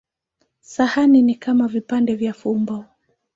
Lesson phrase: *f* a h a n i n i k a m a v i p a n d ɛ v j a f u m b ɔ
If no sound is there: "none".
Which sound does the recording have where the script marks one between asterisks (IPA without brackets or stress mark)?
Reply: s